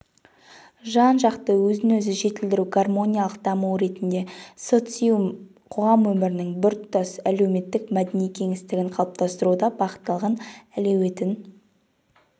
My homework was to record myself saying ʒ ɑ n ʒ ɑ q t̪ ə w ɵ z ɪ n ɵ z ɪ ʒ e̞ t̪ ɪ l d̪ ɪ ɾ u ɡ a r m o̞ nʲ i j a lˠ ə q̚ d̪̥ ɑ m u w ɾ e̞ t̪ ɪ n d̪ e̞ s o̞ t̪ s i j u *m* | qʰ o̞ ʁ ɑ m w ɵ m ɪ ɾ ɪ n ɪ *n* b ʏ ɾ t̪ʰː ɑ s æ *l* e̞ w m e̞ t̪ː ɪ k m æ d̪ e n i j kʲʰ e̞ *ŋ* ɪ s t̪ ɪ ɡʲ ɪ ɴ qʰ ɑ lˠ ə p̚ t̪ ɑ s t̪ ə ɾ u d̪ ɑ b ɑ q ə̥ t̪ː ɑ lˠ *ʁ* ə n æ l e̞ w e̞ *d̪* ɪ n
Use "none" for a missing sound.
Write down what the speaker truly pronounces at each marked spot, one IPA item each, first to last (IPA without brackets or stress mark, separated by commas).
m, ŋ, l, ŋ, ʁ, t̪